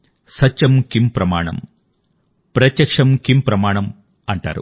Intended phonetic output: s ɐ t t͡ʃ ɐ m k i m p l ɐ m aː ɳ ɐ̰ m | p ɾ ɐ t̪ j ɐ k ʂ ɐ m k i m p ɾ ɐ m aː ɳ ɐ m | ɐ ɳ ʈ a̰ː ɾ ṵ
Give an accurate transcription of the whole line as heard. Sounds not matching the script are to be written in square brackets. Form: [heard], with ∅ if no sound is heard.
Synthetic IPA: s ɐ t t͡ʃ ɐ m k i m p [ɾ] ɐ m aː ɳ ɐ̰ m | p ɾ ɐ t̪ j ɐ k ʂ ɐ m k i m p ɾ ɐ m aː ɳ ɐ m | ɐ ɳ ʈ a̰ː ɾ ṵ